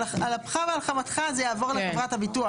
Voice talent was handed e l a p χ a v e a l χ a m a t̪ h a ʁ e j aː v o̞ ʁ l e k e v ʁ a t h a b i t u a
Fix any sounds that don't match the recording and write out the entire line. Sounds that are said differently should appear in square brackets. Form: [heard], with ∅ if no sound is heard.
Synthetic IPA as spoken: [a] l a p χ a v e a l χ a m a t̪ [χ] a [z] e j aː v o̞ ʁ l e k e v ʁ a t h a b i t u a